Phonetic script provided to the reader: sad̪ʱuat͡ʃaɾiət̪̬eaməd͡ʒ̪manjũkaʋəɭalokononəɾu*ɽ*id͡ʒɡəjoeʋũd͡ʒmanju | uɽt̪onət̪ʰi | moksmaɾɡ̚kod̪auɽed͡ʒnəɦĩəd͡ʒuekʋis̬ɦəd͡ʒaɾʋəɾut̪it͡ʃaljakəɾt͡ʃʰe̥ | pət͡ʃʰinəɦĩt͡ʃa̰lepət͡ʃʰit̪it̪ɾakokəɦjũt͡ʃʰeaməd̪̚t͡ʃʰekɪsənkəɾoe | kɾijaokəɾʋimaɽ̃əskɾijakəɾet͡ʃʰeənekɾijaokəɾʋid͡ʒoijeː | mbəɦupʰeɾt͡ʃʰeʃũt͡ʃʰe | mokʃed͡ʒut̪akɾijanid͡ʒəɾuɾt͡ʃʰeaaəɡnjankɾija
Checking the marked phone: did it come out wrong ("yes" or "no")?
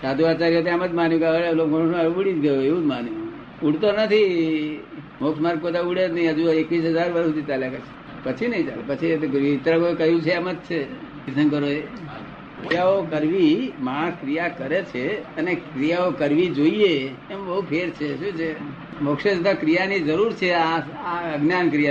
no